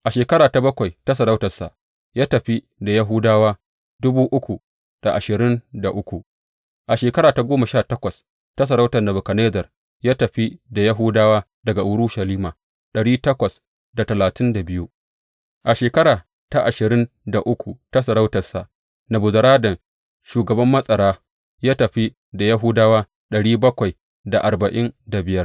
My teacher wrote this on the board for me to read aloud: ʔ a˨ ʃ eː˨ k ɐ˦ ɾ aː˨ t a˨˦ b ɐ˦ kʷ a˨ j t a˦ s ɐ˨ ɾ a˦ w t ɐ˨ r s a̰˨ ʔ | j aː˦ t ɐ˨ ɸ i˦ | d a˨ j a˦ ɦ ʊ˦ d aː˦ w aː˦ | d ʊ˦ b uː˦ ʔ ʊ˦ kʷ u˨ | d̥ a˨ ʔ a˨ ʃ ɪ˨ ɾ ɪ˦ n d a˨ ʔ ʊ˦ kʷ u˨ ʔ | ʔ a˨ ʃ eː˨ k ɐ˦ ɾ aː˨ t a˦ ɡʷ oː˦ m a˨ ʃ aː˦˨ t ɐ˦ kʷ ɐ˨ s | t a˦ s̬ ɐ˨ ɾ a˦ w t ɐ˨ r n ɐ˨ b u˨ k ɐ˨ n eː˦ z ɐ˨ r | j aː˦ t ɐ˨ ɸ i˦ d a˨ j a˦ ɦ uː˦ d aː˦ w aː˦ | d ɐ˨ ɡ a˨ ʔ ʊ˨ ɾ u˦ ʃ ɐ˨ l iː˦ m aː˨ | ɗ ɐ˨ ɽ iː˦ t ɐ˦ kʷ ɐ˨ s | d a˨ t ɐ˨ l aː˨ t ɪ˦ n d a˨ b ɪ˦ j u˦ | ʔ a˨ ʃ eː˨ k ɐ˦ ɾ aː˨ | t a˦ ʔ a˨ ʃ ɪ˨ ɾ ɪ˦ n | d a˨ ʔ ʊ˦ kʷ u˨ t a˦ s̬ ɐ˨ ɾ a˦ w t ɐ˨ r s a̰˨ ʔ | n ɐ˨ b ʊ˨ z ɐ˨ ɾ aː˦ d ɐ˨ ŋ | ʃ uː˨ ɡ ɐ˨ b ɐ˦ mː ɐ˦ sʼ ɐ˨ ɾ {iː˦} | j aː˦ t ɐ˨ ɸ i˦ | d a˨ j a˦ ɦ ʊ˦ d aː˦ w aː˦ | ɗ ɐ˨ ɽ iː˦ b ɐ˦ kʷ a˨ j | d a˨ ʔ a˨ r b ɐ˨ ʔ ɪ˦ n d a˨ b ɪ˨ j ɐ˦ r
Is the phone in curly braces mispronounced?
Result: yes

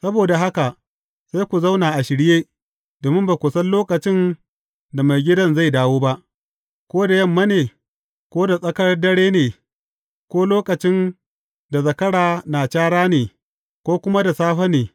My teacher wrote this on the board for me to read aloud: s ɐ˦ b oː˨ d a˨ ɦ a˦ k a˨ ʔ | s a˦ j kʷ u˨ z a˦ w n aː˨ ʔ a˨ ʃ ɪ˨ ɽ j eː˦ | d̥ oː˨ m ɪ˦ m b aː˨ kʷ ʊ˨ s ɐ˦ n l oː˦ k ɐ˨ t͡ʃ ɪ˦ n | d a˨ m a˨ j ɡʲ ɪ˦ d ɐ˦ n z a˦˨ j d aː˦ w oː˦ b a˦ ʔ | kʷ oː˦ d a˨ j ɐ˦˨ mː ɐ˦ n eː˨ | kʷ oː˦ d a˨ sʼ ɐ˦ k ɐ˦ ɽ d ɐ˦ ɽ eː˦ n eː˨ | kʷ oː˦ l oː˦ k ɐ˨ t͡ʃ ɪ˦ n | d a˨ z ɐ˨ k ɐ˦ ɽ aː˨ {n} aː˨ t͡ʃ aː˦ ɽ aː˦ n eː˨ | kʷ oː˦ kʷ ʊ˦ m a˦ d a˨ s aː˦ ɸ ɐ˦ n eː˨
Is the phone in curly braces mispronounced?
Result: no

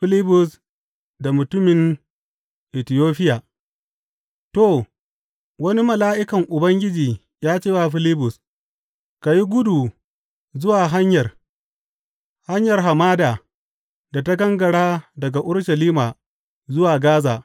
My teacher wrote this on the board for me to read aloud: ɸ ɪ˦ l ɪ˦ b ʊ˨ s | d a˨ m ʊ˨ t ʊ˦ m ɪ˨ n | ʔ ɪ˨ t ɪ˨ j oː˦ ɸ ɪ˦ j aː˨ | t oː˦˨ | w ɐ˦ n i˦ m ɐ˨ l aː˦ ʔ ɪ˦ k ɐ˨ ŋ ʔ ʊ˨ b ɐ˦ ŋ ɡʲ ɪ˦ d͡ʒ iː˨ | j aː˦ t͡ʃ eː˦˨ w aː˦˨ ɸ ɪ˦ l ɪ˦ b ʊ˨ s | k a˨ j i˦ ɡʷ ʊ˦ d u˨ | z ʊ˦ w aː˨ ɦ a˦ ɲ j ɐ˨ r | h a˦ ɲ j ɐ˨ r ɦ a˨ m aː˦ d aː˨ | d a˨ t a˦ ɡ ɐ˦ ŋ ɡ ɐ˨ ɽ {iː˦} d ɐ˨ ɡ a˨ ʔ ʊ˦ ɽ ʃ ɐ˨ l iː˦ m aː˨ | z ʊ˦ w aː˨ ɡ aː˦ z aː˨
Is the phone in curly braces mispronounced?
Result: yes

